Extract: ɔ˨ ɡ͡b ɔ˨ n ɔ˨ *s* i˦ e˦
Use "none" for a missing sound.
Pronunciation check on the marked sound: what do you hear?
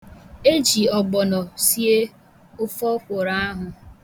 s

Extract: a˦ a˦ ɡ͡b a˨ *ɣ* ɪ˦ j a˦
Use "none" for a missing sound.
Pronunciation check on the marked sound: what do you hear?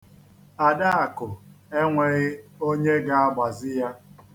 z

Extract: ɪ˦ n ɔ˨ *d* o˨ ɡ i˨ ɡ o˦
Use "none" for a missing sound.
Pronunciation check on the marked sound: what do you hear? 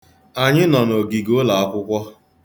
n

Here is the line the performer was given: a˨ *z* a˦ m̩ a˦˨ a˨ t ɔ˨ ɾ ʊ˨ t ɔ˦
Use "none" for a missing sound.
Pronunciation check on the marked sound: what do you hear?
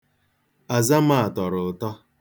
z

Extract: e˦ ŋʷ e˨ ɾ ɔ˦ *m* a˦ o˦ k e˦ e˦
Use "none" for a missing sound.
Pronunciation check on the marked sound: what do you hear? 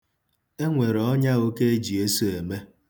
ɲ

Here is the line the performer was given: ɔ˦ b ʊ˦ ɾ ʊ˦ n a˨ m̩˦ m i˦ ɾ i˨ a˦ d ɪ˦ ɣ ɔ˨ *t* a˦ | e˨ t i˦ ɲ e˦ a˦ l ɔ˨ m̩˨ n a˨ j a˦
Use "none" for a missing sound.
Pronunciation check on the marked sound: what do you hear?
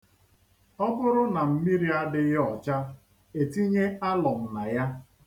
t͡ʃ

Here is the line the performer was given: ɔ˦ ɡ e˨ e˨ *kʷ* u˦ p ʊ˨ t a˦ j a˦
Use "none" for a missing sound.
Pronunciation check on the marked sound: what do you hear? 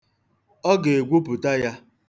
ɡʷ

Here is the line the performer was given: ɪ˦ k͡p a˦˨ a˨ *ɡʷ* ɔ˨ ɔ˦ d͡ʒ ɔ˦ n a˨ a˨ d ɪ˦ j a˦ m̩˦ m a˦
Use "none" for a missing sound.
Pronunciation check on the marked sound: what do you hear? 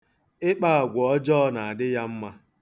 ɡʷ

